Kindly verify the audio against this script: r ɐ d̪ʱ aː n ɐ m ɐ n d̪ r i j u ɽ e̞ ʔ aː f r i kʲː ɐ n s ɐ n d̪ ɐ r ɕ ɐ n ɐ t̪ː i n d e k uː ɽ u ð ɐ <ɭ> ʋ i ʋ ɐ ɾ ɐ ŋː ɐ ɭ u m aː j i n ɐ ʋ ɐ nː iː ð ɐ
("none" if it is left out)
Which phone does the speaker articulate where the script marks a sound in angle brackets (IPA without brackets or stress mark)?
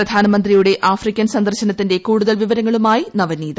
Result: l